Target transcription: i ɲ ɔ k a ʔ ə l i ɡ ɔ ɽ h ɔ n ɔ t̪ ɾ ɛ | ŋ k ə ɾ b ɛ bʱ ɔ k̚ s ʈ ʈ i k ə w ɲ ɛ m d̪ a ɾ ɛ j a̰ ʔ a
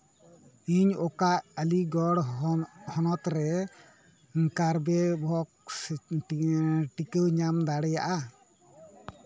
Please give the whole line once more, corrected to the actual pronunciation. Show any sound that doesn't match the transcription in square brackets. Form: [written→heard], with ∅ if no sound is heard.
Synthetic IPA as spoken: i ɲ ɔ k a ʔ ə l i ɡ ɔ ɽ h ɔ n ɔ t̪ ɾ ɛ | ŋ k [ə→a] ɾ b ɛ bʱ ɔ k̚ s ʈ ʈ i k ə w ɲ [ɛ→a] m d̪ a [ɾ→ɽ] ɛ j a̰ ʔ a